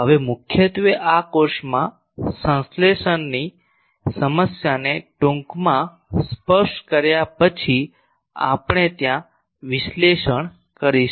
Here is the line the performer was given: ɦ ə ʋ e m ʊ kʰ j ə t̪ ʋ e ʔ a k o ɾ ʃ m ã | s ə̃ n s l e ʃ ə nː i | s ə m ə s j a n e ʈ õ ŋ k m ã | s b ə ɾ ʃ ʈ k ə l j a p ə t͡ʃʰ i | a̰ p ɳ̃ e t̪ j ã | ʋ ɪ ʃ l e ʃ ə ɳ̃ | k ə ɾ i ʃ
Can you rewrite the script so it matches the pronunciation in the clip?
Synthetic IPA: ɦ ə ʋ e m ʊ kʰ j ə t̪ ʋ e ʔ a k o ɾ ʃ m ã | s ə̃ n s l e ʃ ə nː i | s ə m ə s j a n e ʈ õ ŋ k m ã | s p ə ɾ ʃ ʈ k ə ɾ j a p ə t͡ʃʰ i | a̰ p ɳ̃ e t̪ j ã | ʋ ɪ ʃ l e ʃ ə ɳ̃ | k ə ɾ i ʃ